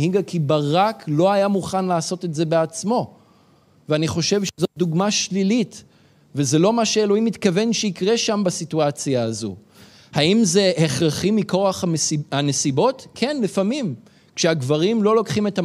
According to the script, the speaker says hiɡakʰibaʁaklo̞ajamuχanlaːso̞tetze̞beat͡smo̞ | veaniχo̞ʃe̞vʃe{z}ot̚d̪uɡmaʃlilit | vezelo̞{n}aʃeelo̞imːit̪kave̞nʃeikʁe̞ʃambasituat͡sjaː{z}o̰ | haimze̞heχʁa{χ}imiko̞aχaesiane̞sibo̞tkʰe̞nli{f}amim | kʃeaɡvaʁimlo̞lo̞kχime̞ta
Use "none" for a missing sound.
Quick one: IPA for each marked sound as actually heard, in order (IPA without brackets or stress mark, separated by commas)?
z, m, z, χ, f